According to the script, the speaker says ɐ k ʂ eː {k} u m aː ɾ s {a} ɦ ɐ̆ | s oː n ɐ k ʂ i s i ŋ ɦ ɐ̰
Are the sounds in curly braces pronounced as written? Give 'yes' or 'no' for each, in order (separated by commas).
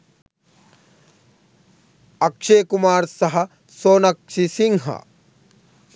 yes, no